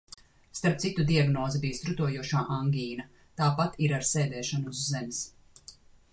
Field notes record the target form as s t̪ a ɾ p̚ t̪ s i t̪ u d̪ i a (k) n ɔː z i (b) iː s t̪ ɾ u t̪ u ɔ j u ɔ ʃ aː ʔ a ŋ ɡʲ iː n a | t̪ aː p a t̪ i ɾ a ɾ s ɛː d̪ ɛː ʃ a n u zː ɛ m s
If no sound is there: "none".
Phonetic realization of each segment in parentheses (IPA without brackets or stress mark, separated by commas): ɡ, b